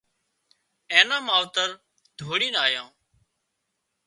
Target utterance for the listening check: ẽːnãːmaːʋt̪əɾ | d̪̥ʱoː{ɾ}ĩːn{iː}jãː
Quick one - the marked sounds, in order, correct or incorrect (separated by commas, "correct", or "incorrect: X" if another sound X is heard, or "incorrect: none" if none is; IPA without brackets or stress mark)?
incorrect: ɽ, incorrect: aː